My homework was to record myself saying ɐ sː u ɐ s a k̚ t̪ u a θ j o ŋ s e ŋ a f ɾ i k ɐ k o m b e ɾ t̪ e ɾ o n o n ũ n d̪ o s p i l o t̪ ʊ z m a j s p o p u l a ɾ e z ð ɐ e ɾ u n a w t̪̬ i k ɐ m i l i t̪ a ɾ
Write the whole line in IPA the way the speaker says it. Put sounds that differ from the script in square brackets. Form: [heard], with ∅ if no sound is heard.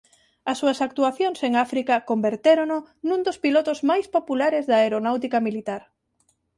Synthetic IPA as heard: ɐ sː u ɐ s a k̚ t̪ u a θ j o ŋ s e ŋ a f ɾ i k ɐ k o m b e ɾ t̪ e ɾ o n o n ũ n d̪ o s p i l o t̪ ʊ z m a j s p o p u l a ɾ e z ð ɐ e ɾ [o] n a w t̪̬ i k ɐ m i l i t̪ a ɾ